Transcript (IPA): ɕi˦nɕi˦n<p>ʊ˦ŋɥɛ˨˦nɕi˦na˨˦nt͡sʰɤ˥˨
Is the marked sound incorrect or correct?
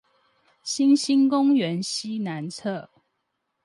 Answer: incorrect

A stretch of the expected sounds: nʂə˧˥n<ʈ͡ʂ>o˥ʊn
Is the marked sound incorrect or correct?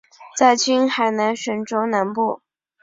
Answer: correct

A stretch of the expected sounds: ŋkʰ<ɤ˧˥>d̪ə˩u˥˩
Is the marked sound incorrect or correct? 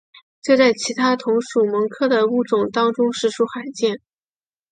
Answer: incorrect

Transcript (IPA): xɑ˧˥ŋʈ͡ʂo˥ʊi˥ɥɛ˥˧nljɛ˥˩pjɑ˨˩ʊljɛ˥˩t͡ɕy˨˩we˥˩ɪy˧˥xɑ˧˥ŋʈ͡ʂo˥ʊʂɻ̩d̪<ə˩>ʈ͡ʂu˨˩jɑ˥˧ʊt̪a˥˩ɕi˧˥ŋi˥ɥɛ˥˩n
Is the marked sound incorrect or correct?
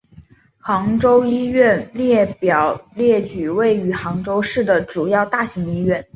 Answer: correct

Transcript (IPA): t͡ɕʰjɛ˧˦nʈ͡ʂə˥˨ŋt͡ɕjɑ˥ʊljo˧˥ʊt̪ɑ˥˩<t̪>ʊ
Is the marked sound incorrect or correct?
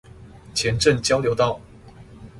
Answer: incorrect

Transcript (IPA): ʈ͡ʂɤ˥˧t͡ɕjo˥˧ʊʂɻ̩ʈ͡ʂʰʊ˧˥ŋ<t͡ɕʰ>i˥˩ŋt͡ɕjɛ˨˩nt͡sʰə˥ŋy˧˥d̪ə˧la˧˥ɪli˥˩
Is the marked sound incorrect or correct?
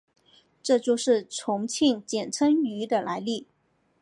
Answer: correct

